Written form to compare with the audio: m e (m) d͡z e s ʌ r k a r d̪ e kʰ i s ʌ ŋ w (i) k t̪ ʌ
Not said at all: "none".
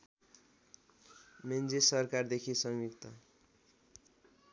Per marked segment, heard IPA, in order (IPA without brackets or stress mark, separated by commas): n, i